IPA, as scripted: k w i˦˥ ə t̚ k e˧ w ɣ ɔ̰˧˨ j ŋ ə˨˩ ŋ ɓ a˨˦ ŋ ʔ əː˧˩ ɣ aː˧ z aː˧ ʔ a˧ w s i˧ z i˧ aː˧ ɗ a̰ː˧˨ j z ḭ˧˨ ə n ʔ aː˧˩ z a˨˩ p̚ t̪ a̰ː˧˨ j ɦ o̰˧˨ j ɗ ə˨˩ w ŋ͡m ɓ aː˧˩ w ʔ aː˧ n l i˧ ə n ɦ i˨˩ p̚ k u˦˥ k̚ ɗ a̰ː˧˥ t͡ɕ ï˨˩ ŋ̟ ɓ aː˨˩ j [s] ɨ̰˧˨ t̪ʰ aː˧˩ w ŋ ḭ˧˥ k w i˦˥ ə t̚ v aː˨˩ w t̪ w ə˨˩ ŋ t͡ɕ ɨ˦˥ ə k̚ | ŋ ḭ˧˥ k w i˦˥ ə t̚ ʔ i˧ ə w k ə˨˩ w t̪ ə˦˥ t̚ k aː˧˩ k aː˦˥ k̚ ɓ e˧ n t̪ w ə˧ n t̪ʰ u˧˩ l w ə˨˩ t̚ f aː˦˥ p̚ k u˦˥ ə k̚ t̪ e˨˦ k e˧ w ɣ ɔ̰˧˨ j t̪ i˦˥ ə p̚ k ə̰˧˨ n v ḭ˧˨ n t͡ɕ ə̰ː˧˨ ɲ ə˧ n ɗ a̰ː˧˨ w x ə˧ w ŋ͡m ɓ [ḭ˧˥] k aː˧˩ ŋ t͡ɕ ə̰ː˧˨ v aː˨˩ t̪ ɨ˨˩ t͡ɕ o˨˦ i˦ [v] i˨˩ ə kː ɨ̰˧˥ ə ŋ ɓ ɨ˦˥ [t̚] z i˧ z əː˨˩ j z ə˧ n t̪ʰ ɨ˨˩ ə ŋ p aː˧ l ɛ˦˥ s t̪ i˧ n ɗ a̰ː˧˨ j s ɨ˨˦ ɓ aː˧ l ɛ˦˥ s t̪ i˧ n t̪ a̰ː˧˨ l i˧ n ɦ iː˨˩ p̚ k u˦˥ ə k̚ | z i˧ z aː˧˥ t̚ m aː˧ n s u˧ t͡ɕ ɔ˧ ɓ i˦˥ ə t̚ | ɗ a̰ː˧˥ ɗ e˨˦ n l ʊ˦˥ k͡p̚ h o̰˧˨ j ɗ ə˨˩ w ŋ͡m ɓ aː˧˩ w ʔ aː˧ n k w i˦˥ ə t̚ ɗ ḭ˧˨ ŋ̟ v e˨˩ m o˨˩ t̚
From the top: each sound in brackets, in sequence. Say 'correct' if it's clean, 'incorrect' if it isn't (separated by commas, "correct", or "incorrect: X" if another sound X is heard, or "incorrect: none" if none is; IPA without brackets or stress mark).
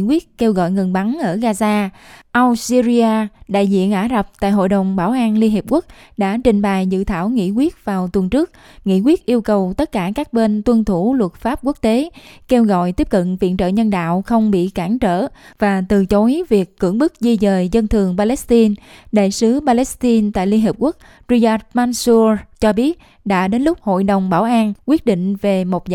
incorrect: z, incorrect: ḭ˧˨, correct, incorrect: k̚